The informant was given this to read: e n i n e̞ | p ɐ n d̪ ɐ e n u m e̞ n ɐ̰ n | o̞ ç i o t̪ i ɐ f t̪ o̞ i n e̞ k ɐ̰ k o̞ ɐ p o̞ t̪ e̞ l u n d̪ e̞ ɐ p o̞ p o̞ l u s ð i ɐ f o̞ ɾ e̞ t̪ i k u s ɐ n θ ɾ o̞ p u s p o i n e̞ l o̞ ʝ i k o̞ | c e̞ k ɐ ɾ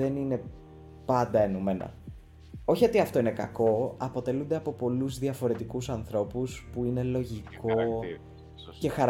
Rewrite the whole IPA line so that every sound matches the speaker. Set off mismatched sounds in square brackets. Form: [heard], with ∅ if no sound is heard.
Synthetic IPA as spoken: e n i n e̞ | p ɐ n d̪ ɐ e n u m e̞ n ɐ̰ [∅] | o̞ ç i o t̪ i ɐ f t̪ o̞ i n e̞ k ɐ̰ k o̞ ɐ p o̞ t̪ e̞ l u n d̪ e̞ ɐ p o̞ p o̞ l u [z] ð i ɐ f o̞ ɾ e̞ t̪ i k u s ɐ n θ ɾ o̞ p u s p [u] i n e̞ l o̞ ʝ i k o̞ | c e̞ [x] ɐ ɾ